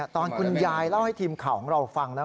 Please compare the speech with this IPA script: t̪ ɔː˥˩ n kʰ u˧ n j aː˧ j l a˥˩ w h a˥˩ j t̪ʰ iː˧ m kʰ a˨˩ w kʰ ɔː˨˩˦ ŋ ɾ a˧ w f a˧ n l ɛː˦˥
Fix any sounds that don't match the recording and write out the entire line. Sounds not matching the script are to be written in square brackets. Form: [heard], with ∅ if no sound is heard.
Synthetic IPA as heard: t̪ [ɔː˧] n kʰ u˧ n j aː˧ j l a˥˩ w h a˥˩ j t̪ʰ iː˧ m kʰ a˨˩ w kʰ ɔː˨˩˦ ŋ ɾ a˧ w f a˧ [ŋ] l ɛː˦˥

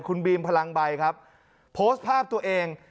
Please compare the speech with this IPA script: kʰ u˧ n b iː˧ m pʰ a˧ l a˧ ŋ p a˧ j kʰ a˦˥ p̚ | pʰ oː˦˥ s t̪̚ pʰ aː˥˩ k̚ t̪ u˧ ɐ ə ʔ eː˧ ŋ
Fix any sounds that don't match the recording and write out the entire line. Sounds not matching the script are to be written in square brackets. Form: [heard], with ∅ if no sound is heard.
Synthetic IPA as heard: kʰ u˧ n b iː˧ m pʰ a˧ l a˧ ŋ [b] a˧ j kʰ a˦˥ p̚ | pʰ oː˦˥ s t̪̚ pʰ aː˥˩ [p̚] t̪ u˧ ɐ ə ʔ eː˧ ŋ

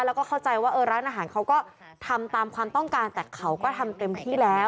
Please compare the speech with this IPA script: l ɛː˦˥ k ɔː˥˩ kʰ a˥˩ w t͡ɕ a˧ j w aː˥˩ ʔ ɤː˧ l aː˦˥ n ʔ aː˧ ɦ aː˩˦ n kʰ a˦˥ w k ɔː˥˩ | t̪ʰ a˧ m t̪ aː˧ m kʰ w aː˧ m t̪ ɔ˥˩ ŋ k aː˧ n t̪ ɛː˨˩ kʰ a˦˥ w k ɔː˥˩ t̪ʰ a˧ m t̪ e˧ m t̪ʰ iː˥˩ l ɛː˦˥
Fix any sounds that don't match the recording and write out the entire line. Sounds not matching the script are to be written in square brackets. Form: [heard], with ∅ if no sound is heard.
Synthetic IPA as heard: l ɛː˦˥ k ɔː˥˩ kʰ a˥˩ w t͡ɕ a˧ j w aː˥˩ ʔ ɤː˧ [ɾ] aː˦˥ n ʔ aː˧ ɦ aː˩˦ n kʰ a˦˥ w k ɔː˥˩ | t̪ʰ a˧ m t̪ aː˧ m kʰ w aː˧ m t̪ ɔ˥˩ ŋ k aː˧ n t̪ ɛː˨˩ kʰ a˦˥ w k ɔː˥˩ t̪ʰ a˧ m t̪ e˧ m t̪ʰ iː˥˩ l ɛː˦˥

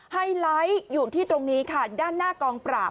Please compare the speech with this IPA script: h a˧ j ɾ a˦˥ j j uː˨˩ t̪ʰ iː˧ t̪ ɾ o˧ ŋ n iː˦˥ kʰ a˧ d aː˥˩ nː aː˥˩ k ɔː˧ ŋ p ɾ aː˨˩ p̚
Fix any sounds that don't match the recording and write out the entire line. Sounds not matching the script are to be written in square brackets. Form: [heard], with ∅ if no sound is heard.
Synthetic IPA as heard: h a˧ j [l] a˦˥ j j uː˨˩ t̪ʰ [iː˥˩] t̪ ɾ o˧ ŋ n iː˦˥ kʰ [a˥˩] d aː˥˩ nː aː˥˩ k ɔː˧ ŋ p ɾ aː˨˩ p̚

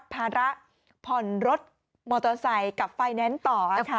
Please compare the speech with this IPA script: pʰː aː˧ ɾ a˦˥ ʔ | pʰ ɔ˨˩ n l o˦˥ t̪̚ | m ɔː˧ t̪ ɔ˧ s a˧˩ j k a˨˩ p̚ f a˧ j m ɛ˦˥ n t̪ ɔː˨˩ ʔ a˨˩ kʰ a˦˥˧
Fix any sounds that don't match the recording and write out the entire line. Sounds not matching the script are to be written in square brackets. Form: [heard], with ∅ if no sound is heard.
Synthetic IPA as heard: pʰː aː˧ ɾ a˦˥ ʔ | pʰ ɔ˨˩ n [ɾ] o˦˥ t̪̚ | m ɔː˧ t̪ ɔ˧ s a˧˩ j k a˨˩ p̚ f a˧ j [n] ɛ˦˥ n t̪ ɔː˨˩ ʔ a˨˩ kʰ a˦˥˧

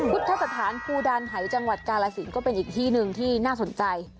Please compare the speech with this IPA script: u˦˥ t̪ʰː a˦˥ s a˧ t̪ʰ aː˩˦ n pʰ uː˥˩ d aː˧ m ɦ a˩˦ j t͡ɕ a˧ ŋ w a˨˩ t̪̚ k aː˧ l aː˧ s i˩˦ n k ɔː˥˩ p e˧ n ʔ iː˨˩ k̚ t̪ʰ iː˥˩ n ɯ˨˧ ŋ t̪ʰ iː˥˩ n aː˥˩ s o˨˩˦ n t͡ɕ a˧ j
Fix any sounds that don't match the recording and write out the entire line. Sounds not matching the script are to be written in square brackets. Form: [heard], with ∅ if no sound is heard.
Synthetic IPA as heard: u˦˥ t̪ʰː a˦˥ s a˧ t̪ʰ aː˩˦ n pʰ [uː˧] d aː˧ [n] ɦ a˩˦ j t͡ɕ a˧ ŋ w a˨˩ t̪̚ k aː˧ l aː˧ s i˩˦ n k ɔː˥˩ p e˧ n ʔ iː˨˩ k̚ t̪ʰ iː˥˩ n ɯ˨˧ ŋ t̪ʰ iː˥˩ n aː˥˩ s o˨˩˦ n t͡ɕ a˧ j

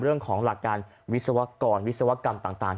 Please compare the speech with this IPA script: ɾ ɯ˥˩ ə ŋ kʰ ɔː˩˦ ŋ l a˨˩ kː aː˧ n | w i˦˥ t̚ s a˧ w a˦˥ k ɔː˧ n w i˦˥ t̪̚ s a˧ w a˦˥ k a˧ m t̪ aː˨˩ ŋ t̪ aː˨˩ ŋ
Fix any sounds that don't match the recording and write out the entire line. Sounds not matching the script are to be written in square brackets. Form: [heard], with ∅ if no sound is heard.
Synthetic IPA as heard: ɾ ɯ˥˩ ə ŋ kʰ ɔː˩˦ ŋ l a˨˩ kː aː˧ n | w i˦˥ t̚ s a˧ w a˦˥ k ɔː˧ n w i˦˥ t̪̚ s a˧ w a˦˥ k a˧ m t̪ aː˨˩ ŋ t̪ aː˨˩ ŋ

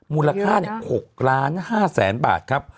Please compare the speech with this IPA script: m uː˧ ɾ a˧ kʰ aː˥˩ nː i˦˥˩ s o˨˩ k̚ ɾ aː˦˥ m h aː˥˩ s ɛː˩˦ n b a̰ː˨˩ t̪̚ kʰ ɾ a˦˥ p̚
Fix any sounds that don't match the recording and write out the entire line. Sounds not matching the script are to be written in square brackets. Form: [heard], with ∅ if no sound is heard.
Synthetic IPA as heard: m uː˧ [l] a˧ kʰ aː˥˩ [n] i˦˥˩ [h] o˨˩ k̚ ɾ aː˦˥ [n] h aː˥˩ s ɛː˩˦ n b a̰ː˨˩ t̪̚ kʰ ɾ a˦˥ p̚

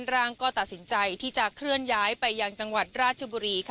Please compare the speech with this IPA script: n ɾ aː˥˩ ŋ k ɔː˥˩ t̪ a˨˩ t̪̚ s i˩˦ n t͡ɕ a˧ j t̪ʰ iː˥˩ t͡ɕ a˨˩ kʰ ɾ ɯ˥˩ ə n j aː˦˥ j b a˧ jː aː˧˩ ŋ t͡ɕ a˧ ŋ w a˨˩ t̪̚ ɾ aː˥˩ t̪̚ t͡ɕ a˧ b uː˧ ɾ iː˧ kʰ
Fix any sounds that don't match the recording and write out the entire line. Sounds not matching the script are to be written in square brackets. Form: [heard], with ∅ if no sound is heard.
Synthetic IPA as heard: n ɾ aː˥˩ ŋ k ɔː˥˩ t̪ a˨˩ t̪̚ s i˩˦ n t͡ɕ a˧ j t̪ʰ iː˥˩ t͡ɕ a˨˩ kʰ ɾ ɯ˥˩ ə n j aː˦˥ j [p] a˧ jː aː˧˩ ŋ t͡ɕ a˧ ŋ w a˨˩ t̪̚ ɾ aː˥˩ t̪̚ [t͡ɕʰ] a˧ b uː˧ ɾ iː˧ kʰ

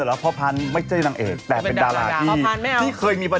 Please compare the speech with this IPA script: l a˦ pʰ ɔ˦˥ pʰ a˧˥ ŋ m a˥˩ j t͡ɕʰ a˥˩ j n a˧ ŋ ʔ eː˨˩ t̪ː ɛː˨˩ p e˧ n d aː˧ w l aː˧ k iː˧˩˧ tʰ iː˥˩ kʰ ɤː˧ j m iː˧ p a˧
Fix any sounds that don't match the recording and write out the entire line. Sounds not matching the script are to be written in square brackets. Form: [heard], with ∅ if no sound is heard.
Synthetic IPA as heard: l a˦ pʰ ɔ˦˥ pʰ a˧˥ [n] m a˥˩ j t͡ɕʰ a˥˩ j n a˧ ŋ ʔ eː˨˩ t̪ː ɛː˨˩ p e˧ n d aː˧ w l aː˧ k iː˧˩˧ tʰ iː˥˩ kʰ ɤː˧ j m iː˧ p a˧

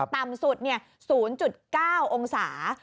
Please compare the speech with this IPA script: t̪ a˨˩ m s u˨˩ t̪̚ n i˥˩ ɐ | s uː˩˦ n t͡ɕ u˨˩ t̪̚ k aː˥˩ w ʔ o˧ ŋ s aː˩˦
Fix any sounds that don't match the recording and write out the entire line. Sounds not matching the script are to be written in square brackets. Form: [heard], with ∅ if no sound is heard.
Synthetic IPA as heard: t̪ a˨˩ m s u˨˩ t̪̚ n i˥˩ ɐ | s uː˩˦ n t͡ɕ u˨˩ t̪̚ k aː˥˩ w ʔ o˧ ŋ s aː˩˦

